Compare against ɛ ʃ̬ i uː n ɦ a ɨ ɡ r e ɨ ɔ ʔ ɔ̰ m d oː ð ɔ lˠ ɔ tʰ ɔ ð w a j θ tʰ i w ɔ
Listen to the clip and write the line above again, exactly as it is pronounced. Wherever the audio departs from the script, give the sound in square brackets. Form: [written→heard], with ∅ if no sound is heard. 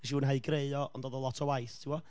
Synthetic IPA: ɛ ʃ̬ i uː n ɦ a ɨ ɡ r e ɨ ɔ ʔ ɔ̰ [m→n] d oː ð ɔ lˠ ɔ tʰ ɔ [ð→∅] w a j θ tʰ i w ɔ